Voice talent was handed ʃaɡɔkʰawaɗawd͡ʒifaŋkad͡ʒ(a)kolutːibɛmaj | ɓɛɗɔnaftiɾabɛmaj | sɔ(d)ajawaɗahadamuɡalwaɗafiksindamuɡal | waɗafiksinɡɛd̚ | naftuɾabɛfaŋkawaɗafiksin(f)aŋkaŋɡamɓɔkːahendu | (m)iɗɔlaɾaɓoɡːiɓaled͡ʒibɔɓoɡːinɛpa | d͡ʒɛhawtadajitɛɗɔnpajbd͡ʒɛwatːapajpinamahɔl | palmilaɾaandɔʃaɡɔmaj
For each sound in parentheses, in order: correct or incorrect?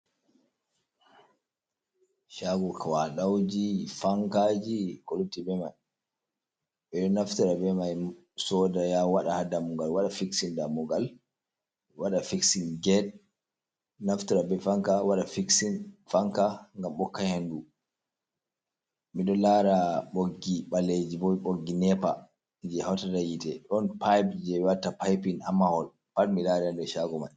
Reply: incorrect, correct, correct, correct

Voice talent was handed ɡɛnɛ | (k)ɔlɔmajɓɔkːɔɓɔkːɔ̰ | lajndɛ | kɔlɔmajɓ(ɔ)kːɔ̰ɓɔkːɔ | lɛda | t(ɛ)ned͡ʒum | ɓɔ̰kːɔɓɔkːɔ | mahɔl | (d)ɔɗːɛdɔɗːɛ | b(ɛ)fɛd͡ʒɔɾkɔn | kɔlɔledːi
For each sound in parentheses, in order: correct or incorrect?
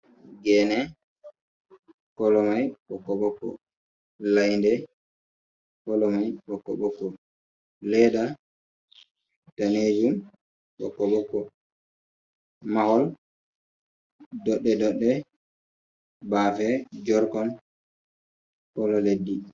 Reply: correct, correct, incorrect, correct, incorrect

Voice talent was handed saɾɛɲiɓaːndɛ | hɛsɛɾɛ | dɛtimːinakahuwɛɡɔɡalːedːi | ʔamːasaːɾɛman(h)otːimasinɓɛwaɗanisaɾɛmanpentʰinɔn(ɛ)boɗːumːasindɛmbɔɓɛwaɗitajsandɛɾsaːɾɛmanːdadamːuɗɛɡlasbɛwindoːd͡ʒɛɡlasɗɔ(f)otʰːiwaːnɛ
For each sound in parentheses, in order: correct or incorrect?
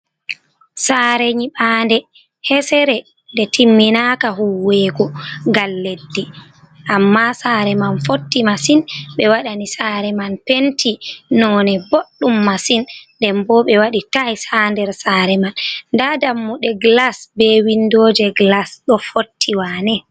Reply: incorrect, correct, correct

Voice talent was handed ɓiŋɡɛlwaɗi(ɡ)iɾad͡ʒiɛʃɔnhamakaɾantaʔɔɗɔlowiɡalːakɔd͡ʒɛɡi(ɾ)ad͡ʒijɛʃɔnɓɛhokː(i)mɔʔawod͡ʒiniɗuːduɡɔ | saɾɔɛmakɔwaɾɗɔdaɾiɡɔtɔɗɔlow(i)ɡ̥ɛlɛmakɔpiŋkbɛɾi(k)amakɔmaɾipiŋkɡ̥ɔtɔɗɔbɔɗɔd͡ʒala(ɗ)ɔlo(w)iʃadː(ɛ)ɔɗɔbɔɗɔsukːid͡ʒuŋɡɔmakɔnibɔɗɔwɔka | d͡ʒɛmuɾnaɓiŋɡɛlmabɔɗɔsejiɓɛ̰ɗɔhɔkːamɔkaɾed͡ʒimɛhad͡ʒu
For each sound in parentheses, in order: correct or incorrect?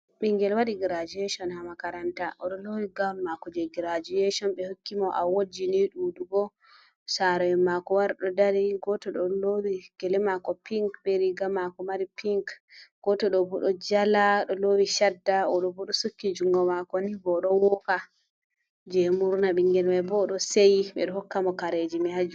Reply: correct, correct, correct, correct, incorrect, correct, correct, incorrect

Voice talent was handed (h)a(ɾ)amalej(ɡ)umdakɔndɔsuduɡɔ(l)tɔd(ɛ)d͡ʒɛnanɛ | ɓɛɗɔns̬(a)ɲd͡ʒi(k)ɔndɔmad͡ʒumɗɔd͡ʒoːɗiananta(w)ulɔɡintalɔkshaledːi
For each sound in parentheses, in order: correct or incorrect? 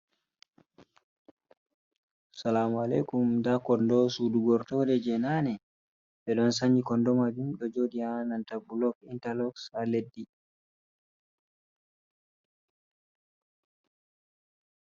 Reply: incorrect, incorrect, incorrect, incorrect, correct, correct, correct, incorrect

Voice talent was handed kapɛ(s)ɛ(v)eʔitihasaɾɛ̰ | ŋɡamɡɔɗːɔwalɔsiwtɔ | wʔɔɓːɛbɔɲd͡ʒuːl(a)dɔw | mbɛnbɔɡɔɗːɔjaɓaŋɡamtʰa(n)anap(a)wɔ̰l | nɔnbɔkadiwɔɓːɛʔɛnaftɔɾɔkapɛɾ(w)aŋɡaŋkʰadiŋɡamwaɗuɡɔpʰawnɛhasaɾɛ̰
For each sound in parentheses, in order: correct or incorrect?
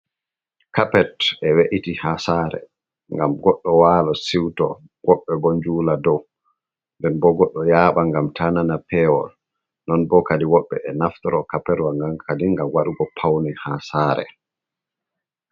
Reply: incorrect, incorrect, correct, correct, incorrect, correct

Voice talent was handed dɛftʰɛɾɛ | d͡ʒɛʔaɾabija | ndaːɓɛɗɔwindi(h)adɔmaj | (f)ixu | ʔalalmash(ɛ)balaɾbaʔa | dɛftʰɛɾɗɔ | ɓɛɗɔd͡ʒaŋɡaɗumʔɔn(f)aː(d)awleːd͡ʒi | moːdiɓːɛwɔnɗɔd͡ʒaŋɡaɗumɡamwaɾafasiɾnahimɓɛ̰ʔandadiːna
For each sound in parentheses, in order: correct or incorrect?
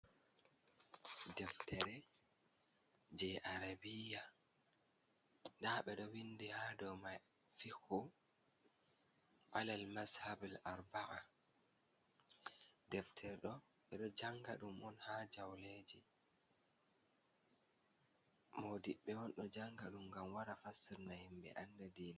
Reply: correct, correct, incorrect, incorrect, incorrect

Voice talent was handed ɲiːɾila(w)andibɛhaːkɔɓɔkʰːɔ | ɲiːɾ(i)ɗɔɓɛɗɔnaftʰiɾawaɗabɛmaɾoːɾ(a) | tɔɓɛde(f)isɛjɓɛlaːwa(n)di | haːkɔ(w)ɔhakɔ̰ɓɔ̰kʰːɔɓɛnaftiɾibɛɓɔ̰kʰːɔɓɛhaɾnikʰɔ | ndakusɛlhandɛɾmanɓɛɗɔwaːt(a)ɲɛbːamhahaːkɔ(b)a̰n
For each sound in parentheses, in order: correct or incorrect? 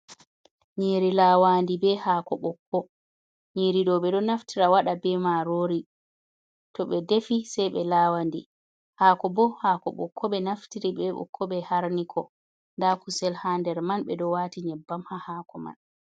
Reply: correct, correct, incorrect, correct, correct, incorrect, incorrect, incorrect

